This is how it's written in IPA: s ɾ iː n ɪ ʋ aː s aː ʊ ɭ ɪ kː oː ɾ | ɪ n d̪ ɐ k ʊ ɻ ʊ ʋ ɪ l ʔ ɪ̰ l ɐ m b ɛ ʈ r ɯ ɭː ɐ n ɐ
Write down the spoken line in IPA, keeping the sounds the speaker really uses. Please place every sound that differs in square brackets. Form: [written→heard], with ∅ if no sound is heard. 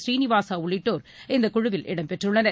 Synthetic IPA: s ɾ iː n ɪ ʋ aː s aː ʊ ɭ ɪ [kː→ʈː] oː ɾ | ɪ n d̪ ɐ k ʊ ɻ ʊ ʋ ɪ l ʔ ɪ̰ [l→ɽ] ɐ m [b→p] ɛ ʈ r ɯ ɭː ɐ n ɐ